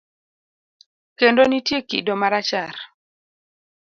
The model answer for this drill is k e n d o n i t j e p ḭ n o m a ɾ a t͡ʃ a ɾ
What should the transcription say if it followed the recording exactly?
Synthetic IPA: k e n d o n i t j e k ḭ d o m a ɾ a t͡ʃ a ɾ